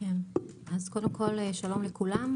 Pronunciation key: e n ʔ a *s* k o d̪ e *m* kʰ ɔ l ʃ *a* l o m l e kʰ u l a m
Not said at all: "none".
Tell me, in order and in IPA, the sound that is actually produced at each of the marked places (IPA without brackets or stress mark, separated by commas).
z, m, a